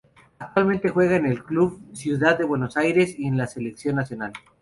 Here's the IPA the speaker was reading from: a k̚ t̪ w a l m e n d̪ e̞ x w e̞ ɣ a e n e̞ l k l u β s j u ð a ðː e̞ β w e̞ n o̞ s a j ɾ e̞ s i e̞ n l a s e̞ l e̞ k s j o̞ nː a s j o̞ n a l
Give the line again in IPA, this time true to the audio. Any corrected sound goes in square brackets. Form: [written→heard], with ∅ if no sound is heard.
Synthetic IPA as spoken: a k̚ t̪ w a l m e n [d̪→t̪] e̞ x w e̞ ɣ a e n e̞ l k l u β s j u ð a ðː e̞ β w e̞ n o̞ s a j ɾ e̞ s i e̞ n l a s e̞ l e̞ k s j o̞ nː a s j o̞ n a l

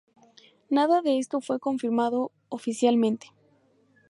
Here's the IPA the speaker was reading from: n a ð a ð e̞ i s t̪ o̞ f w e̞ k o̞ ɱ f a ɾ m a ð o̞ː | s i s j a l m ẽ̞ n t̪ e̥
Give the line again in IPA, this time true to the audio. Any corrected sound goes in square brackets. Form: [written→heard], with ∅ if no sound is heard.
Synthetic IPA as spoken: n a ð a ð e̞ [i→e] s t̪ o̞ f w e̞ k o̞ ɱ f [a→i] ɾ m a ð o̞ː | [s→f] i s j a l m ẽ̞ n t̪ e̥

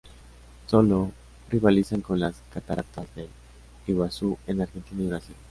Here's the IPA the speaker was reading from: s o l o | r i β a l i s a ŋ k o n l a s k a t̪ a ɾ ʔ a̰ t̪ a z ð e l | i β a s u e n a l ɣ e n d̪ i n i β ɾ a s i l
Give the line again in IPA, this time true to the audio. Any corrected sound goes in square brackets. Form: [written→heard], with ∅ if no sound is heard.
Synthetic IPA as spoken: s o l o | r i β a l i s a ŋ k o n l a s k a t̪ a ɾ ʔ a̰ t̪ a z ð e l | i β a s u e n a [l→ɾ] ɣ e n [d̪→t̪] i n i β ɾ a s i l

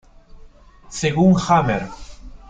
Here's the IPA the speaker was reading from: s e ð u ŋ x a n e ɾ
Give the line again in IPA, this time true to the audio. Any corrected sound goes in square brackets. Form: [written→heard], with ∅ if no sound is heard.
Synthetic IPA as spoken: s e [ð→ɣ] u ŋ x a [n→m] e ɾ

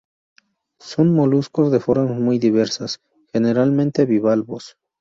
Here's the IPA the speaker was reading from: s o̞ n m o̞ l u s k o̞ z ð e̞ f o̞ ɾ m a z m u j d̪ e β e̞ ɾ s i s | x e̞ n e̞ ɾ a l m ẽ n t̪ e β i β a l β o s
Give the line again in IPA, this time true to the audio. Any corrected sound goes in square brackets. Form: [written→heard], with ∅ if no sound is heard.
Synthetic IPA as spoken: s o̞ n m o̞ l u s k o̞ z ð e̞ f o̞ ɾ m a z m u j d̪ [e→i] β e̞ ɾ s [i→a] s | x e̞ n e̞ ɾ a l m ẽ n t̪ e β i β a l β o s

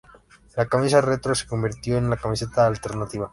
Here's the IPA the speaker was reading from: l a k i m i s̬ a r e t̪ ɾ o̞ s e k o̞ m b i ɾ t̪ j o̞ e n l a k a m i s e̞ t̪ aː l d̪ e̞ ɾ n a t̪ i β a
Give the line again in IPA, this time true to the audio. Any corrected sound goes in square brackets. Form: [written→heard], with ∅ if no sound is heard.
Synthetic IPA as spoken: l a k [i→a] m i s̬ a r e t̪ ɾ o̞ s e k o̞ m b i ɾ t̪ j o̞ e n l a k a m i s e̞ t̪ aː l [d̪→t̪] e̞ ɾ n a t̪ i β a

